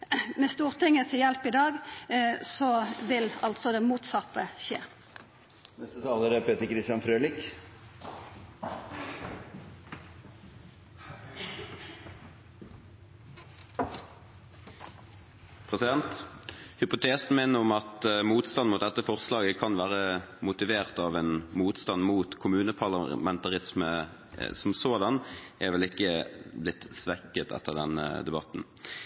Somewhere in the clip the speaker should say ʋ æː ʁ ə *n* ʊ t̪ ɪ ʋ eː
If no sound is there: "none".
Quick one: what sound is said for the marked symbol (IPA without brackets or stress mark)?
m